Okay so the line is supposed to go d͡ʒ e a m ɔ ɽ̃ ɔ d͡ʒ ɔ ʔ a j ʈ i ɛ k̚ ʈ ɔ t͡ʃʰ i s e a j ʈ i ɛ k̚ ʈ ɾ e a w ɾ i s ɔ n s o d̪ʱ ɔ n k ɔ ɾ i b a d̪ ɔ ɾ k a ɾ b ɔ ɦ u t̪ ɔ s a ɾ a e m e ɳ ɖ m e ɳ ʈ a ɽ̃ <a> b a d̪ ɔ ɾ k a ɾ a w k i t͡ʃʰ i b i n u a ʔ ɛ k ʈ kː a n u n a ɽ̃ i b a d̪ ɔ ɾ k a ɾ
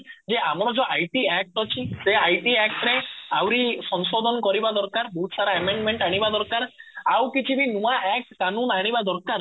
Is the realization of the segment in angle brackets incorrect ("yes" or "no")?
yes